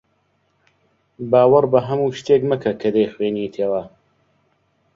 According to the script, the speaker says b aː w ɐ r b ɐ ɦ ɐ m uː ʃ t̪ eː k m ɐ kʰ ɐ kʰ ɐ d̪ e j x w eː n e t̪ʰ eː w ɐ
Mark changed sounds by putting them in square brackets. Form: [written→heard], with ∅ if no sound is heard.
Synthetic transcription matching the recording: b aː w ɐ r b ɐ ɦ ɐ m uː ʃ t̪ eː k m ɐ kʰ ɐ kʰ ɐ d̪ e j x w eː n [e→i] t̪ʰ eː w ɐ